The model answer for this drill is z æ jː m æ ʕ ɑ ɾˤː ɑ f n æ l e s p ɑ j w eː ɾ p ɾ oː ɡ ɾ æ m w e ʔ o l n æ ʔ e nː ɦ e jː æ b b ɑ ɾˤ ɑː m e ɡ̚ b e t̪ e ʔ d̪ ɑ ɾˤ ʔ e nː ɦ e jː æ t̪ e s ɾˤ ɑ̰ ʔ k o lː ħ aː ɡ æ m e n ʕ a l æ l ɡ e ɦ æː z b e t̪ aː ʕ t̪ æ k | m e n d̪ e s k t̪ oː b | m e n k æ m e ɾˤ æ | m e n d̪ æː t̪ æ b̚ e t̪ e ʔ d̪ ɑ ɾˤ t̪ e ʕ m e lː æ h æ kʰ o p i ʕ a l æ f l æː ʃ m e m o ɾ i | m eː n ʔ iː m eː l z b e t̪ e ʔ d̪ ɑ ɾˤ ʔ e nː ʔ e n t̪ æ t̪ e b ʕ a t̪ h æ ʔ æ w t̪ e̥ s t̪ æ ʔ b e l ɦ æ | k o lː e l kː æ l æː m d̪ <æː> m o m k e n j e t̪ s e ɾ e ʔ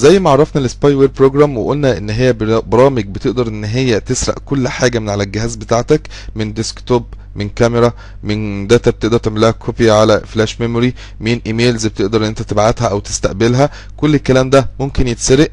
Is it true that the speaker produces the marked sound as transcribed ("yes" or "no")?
no